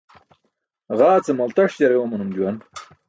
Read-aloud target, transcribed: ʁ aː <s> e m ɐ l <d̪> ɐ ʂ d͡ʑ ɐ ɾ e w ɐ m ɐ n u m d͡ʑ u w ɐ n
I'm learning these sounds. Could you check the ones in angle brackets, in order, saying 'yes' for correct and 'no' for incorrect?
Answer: no, no

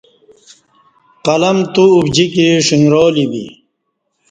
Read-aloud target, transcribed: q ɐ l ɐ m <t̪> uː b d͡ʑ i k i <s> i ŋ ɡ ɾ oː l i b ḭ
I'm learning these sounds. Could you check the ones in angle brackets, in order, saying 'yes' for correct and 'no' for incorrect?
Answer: yes, no

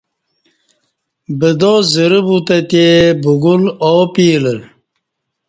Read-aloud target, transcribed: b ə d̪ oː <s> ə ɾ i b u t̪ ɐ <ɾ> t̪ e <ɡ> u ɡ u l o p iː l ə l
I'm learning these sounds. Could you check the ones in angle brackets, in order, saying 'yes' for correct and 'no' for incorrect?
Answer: no, no, no

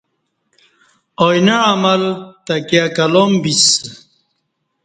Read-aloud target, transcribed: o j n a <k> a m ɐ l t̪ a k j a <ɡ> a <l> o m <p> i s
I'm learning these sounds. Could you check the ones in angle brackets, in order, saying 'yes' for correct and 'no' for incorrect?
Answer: no, no, yes, no

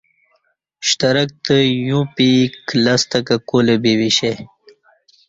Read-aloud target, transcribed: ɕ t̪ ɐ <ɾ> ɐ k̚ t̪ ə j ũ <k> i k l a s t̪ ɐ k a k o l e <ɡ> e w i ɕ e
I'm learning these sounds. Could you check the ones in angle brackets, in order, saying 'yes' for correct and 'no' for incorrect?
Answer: yes, no, no

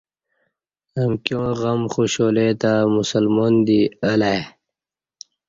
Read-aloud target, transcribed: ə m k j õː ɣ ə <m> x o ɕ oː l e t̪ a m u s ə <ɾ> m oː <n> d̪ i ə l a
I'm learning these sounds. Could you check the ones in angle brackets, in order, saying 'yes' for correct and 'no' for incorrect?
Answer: yes, no, yes

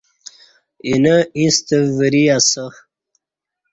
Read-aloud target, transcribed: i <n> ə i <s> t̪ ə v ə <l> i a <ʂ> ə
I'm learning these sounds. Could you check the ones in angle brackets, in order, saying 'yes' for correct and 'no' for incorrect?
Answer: yes, yes, no, no

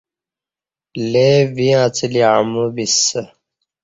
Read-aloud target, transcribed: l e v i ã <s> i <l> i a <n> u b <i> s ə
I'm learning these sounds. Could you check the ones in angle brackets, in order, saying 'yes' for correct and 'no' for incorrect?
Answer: no, yes, no, yes

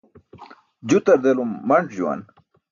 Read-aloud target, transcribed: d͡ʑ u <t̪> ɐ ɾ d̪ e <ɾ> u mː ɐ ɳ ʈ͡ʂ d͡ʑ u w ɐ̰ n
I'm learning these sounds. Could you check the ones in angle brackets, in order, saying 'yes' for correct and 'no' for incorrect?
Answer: yes, no

